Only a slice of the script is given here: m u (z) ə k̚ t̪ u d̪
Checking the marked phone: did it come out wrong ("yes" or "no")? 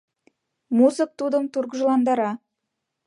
no